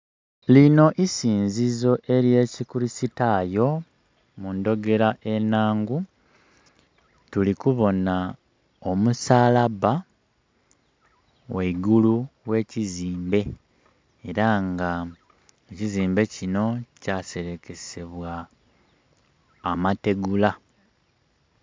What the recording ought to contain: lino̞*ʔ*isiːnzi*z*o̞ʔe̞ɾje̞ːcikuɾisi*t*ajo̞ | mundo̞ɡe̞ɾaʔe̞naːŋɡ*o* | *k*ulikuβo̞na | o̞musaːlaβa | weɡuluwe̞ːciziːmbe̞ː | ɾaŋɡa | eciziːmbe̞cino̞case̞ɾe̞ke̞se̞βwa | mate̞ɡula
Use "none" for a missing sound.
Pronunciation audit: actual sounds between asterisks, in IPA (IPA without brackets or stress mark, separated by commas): ʔ, z, t, u, t